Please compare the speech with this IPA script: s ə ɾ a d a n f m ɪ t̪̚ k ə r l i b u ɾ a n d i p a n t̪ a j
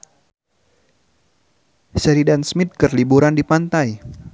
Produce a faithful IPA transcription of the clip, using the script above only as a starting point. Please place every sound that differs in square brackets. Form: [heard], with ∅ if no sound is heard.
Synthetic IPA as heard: s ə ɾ [i] d a n [s] m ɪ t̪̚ k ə r l i b u ɾ a n d i p a n t̪ a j